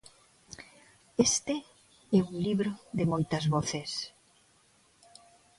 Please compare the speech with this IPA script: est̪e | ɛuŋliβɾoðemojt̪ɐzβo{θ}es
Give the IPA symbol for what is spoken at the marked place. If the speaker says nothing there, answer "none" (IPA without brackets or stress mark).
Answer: θ